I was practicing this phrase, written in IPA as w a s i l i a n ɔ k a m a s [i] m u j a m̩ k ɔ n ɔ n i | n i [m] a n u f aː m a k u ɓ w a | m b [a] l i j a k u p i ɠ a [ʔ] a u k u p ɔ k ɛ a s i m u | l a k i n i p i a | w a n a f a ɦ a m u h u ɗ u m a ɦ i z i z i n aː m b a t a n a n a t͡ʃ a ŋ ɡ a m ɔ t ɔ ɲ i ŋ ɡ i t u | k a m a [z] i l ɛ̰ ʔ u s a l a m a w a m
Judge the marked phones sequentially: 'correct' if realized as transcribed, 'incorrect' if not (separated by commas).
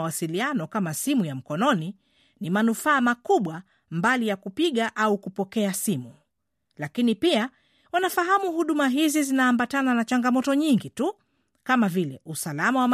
correct, correct, correct, correct, incorrect